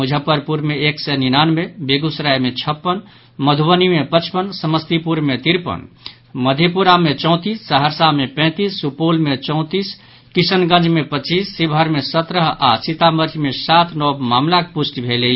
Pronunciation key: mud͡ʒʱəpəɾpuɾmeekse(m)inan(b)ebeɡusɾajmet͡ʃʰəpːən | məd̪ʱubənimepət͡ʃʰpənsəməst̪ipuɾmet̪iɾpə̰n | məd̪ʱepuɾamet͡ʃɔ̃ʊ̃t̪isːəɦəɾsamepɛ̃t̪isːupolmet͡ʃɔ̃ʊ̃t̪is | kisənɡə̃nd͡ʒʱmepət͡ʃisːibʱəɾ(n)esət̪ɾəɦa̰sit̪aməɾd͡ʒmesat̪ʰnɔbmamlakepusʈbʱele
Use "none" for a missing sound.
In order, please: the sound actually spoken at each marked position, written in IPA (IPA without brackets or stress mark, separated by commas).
n, m, m